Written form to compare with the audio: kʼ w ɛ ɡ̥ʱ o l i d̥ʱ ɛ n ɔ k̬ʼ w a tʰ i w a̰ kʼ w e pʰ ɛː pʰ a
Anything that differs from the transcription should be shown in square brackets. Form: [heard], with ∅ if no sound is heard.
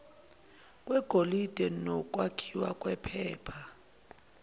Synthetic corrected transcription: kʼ w ɛ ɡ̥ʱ o l i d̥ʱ ɛ n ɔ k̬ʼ w a [kʰ] i w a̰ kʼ w [ɛ] pʰ ɛː pʰ a